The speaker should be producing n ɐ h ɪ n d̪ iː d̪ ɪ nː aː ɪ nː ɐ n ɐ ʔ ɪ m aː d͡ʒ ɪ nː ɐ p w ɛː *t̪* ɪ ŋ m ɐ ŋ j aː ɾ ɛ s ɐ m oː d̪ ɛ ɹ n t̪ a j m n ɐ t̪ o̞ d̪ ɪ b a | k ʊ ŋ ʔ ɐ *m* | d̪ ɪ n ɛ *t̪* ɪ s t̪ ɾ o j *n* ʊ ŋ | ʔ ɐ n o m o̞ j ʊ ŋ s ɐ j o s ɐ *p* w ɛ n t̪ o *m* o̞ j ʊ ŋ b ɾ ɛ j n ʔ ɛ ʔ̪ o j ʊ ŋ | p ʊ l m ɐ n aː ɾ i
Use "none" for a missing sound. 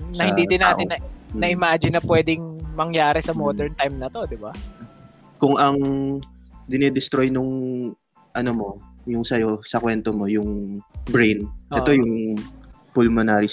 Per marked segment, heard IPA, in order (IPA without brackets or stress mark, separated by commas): d̪, ŋ, d̪, n, k, m